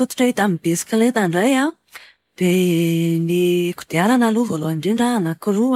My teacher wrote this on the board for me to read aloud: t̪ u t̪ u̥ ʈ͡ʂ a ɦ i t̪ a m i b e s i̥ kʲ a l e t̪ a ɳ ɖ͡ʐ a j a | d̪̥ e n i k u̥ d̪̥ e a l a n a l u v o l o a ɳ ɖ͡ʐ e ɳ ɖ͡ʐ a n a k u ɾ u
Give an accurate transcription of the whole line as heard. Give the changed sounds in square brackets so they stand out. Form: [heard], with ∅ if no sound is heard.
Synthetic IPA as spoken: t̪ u t̪ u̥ ʈ͡ʂ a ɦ i t̪ a m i b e s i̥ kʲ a l e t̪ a ɳ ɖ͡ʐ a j a | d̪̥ e n i k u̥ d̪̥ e a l a n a l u v o l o a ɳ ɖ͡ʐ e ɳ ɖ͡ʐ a n a k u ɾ u